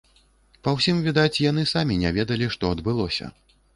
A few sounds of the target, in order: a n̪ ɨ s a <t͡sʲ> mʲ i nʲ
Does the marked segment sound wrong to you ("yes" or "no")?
yes